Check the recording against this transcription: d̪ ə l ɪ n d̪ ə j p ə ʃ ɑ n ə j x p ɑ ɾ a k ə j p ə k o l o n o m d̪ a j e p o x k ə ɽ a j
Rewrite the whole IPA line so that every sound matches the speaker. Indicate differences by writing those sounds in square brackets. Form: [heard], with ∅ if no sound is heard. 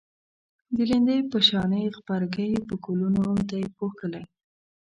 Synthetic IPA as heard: d̪ ə l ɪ n d̪ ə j p ə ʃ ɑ n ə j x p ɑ ɾ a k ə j p ə k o l [u] n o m [t̪] a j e p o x k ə [l] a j